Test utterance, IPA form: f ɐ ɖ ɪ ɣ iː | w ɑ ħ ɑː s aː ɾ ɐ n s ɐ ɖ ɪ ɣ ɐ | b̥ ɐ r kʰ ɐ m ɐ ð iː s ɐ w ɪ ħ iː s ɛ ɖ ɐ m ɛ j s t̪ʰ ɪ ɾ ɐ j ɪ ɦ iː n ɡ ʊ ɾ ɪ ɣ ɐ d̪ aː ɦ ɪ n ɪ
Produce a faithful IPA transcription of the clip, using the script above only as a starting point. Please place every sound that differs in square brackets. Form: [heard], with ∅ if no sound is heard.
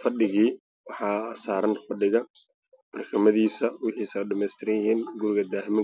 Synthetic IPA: f ɐ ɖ ɪ ɣ iː | w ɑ ħ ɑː s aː ɾ ɐ n [f] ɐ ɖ ɪ ɣ ɐ | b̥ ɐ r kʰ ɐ m ɐ ð iː s ɐ w ɪ ħ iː s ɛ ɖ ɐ m ɛ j s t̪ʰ ɪ ɾ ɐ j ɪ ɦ iː n ɡ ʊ ɾ ɪ ɣ ɐ d̪ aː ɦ ɪ [m] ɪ